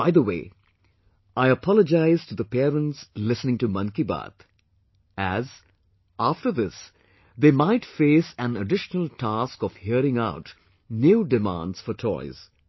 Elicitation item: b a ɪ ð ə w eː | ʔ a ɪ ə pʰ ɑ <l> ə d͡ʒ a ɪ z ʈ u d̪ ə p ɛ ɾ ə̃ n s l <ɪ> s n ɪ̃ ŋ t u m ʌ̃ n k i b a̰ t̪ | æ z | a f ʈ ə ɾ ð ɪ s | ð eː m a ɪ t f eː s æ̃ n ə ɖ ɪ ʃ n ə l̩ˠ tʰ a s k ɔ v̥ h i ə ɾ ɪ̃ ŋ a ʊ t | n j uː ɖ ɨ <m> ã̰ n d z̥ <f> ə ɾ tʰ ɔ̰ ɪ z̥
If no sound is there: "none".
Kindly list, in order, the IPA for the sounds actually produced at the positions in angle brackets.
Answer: l, ɪ, m, f

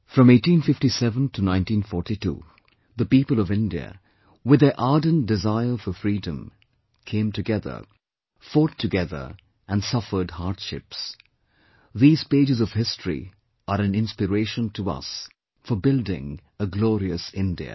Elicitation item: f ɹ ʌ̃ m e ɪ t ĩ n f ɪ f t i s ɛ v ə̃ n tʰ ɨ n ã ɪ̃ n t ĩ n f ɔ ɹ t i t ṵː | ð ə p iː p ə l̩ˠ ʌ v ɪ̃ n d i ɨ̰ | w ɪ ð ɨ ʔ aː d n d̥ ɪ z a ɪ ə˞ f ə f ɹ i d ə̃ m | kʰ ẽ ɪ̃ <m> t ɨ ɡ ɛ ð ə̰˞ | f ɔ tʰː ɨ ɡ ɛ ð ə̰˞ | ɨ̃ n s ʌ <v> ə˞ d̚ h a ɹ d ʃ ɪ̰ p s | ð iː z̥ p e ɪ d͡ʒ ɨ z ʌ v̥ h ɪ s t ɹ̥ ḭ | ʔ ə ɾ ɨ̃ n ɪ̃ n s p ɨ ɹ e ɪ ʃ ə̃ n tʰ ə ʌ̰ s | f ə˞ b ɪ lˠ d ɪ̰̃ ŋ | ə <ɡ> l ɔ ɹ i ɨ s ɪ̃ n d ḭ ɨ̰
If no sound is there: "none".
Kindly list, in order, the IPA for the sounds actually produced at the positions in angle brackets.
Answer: m, f, ɡ

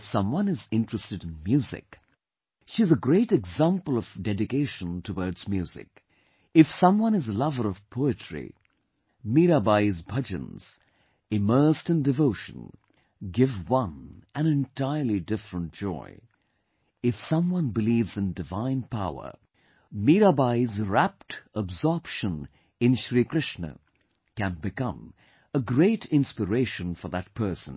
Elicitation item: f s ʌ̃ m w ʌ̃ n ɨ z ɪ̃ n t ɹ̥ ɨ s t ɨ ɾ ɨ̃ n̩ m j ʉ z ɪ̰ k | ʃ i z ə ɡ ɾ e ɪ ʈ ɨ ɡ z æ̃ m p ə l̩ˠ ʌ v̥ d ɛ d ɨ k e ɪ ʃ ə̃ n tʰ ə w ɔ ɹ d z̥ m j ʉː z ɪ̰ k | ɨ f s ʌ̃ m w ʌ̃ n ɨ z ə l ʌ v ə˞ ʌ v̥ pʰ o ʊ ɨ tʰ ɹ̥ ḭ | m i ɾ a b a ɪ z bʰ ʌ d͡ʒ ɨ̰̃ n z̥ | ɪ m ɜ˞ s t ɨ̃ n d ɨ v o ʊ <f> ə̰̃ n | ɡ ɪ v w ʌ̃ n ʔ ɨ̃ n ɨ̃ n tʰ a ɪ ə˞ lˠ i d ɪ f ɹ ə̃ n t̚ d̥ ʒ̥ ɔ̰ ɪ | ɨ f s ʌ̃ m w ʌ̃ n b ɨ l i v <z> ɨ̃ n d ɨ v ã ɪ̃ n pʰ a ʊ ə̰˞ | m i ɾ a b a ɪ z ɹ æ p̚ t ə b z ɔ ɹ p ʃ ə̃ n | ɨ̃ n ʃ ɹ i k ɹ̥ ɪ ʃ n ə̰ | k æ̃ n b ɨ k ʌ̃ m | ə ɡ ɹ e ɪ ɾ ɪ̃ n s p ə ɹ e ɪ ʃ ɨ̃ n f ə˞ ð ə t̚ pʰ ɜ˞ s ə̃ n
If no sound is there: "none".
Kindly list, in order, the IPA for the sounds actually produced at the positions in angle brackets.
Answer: ʃ, z

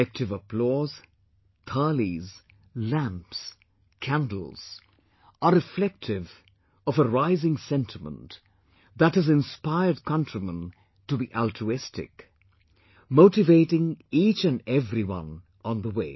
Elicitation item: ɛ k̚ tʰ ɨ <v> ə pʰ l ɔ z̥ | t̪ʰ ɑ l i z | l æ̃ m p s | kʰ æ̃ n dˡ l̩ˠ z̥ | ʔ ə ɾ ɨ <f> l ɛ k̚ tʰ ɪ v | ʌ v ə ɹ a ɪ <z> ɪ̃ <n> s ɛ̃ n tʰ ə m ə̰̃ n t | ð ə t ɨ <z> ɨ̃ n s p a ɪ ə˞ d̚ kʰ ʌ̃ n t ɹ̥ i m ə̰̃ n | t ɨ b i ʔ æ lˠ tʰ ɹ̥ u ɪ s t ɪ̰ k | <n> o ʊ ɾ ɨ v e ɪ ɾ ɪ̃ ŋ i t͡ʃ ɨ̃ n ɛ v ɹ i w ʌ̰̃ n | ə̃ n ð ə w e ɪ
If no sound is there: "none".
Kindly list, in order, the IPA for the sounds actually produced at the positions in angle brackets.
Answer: v, f, z, ŋ, z, m

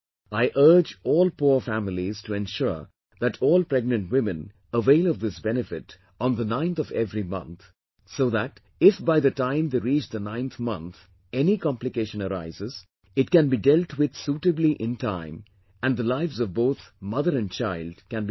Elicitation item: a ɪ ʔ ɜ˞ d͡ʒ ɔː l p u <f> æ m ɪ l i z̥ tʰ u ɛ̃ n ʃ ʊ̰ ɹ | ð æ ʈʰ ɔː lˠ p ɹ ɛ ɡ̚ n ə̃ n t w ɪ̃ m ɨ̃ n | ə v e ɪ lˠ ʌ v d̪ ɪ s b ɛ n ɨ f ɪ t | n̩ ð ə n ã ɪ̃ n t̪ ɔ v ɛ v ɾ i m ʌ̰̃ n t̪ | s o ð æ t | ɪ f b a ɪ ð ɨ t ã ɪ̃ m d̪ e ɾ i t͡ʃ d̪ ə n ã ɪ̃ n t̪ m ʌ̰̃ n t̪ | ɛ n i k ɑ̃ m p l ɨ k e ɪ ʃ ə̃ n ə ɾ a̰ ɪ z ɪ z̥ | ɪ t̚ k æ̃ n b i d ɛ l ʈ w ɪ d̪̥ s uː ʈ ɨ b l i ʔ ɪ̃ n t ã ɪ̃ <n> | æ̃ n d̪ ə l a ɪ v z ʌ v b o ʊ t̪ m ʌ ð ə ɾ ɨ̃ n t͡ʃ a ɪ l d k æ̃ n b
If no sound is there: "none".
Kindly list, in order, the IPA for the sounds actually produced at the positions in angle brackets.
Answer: f, m

